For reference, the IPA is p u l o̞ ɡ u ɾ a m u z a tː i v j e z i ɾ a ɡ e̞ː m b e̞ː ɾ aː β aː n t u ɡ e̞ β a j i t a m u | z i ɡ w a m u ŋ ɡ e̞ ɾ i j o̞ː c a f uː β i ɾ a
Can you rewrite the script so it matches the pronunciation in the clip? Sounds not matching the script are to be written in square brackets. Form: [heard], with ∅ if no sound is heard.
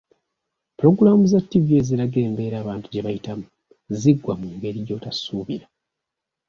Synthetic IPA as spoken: p u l o̞ ɡ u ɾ a m u z a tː i v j e z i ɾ a ɡ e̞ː m b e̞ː ɾ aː β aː n t u [ɟ] e̞ β a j i t a m u | z i ɡ w a m u ŋ ɡ e̞ ɾ i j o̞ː [t] a [s] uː β i ɾ a